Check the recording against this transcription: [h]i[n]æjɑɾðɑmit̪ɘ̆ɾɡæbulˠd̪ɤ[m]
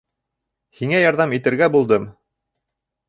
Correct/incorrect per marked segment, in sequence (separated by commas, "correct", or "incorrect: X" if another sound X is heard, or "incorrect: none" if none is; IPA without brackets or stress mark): correct, incorrect: ŋ, correct